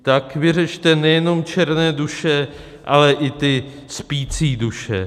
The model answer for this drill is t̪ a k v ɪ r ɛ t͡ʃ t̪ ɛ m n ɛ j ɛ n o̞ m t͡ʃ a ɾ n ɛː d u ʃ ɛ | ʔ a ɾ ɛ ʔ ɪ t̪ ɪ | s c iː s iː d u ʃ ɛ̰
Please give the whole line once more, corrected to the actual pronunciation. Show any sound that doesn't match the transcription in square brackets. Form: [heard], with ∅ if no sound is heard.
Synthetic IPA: t̪ a k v ɪ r ɛ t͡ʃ t̪ ɛ [∅] n ɛ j ɛ n o̞ m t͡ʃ [ɛ] ɾ n ɛː d u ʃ ɛ | ʔ a [l] ɛ ʔ ɪ t̪ ɪ | s [p] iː [t͡s] iː d u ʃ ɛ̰